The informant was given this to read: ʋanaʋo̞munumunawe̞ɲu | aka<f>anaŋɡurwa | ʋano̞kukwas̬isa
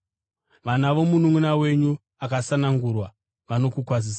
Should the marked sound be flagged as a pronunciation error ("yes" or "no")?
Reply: yes